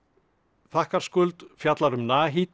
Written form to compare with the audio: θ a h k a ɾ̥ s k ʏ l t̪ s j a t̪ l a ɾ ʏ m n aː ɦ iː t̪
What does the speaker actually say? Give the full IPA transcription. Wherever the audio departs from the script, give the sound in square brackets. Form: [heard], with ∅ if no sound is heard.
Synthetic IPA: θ a h k a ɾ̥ s k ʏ l t̪ [f] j a t̪ l a ɾ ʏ m n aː ɦ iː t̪